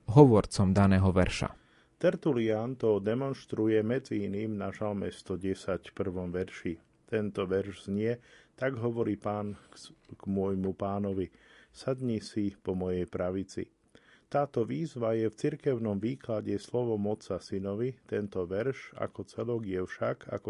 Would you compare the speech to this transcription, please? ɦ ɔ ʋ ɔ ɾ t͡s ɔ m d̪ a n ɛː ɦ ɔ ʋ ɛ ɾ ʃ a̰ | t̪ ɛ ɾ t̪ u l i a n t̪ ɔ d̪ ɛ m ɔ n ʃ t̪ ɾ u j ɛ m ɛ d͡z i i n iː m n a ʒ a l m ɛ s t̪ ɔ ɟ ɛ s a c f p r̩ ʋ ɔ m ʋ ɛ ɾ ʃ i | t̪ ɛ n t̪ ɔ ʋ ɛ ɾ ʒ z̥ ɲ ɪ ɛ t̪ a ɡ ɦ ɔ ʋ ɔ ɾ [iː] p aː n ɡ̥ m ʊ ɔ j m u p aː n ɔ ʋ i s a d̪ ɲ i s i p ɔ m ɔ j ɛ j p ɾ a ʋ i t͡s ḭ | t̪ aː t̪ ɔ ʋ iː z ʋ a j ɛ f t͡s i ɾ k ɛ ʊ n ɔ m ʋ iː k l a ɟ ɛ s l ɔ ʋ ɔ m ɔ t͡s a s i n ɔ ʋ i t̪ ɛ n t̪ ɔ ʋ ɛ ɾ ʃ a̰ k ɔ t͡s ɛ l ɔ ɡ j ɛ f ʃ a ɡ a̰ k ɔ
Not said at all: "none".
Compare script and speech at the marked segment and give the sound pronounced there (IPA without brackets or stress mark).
iː